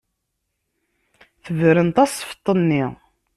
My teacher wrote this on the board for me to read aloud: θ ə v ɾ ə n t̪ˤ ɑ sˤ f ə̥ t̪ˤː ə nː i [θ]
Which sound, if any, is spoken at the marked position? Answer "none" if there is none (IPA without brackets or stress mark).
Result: none